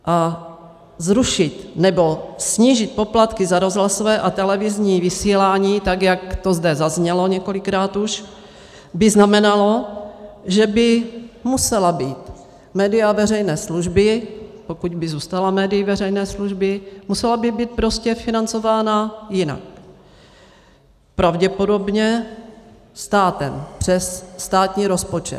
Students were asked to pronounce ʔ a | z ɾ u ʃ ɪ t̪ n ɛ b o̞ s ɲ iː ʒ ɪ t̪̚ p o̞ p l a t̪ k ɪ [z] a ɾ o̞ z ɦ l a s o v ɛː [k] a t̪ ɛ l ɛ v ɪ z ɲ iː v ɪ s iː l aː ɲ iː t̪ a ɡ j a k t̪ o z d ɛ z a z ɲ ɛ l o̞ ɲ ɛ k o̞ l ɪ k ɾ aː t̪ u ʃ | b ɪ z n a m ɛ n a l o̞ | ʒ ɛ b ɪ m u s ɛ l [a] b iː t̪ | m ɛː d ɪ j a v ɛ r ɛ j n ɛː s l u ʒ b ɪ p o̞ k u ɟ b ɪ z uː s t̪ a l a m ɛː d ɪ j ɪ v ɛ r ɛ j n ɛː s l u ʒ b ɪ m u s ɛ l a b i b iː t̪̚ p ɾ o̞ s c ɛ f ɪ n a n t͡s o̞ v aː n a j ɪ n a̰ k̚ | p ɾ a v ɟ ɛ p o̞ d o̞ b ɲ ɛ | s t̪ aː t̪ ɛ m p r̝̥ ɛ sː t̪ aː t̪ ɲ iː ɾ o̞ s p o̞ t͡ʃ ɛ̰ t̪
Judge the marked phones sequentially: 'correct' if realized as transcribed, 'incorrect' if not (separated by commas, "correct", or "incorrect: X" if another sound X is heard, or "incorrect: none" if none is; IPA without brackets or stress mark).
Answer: correct, incorrect: ʔ, correct